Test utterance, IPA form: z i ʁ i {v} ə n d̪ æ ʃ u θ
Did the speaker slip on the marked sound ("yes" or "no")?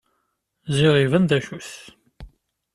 no